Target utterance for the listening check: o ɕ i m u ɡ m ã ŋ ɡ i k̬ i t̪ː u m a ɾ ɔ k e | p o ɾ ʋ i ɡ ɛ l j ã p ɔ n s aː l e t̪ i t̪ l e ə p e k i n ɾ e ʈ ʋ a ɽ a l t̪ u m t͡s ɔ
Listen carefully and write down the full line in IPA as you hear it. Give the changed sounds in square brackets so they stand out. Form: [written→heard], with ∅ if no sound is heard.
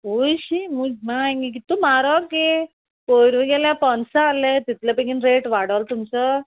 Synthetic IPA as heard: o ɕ i m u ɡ m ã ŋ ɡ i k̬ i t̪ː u m a ɾ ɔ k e | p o ɾ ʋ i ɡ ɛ l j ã p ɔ n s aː l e t̪ i t̪ l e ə p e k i n ɾ e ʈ ʋ a ɽ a l t̪ u m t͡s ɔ